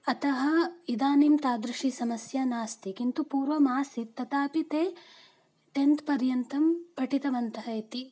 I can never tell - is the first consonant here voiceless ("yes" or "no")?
yes